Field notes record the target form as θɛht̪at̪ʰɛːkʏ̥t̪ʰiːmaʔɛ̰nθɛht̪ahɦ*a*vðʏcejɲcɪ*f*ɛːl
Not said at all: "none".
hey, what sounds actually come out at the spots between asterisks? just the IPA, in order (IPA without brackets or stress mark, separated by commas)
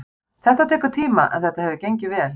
ɛ, v